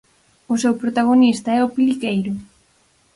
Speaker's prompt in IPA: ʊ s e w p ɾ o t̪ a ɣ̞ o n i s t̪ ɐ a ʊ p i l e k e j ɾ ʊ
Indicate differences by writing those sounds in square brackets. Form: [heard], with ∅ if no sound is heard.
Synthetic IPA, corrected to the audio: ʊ s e w p ɾ o t̪ a ɣ̞ o n i s t̪ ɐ [ɛ] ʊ p i l [i] k e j ɾ ʊ